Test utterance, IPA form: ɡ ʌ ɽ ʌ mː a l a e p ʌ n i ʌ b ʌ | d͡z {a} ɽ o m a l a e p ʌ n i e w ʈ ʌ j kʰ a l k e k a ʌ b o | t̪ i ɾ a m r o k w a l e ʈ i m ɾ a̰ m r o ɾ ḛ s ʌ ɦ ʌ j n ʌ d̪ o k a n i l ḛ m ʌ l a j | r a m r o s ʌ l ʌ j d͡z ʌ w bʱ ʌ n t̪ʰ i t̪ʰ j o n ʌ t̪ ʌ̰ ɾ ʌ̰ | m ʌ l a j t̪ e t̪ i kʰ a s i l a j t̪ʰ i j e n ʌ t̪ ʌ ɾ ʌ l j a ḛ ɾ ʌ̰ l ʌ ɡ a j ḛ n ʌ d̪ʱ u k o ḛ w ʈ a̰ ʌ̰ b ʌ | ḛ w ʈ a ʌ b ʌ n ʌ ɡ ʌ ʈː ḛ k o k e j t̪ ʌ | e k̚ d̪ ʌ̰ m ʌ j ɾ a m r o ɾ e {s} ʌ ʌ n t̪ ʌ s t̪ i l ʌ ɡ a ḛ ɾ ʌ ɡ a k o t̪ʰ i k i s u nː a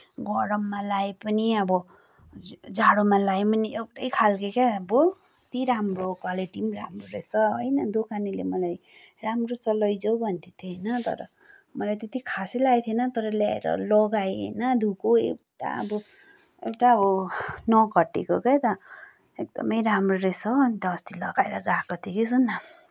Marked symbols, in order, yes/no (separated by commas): yes, yes